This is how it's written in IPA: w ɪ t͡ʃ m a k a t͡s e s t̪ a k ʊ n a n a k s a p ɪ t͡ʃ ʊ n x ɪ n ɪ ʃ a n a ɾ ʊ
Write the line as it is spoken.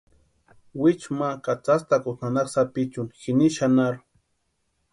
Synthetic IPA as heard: w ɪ t͡ʃ m a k a t͡s a s t̪ a k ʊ n a n a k s a p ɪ t͡ʃ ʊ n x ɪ n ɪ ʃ a n a ɾ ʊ